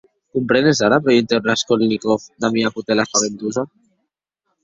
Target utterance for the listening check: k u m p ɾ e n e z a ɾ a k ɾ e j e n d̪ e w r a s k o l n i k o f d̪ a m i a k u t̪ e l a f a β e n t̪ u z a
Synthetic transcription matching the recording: k u m p ɾ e n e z a ɾ a p ɾ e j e n t̪ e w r a s k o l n i k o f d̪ a m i a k u t̪ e l a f a β e n t̪ u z a